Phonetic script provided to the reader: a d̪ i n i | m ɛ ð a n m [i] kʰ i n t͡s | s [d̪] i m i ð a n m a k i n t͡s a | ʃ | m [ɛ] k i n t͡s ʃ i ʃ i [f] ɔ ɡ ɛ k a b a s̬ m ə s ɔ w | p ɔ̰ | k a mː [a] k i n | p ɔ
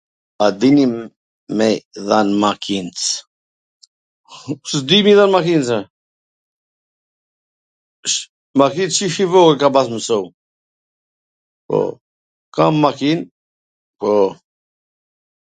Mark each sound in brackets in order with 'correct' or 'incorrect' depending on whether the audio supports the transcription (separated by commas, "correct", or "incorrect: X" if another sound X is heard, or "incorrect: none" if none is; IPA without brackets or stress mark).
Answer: incorrect: a, correct, incorrect: a, incorrect: v, correct